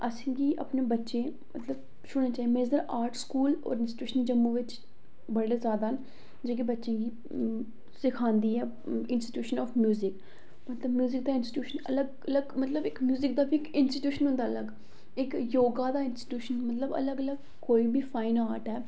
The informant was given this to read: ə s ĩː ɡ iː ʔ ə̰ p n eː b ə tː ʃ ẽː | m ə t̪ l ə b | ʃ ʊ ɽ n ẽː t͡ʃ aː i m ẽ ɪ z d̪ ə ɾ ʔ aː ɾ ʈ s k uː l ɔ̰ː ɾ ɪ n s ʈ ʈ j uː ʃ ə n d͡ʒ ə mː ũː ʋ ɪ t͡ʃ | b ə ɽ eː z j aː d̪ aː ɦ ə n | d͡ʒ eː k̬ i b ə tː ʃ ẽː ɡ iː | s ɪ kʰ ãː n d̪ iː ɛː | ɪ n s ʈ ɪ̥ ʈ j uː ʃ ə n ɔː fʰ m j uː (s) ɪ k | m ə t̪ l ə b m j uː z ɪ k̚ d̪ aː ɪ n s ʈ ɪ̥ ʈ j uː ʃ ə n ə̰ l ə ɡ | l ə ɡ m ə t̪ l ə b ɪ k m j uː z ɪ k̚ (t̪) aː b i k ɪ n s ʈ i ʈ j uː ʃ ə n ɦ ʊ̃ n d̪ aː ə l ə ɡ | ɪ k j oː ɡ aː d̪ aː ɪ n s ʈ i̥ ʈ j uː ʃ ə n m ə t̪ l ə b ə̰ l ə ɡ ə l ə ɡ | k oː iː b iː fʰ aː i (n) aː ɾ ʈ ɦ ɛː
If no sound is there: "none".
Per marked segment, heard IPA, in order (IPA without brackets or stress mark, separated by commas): z, d̪, n